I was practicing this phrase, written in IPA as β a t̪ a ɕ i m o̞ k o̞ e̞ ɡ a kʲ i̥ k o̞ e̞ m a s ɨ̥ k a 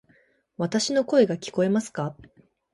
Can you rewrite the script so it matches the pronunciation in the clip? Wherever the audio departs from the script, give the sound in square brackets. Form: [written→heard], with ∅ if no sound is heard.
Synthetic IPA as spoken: β a t̪ a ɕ i [m→n] o̞ k o̞ e̞ ɡ a kʲ i̥ k o̞ e̞ m a s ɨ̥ k a